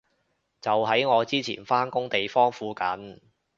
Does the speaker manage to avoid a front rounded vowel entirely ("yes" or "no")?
yes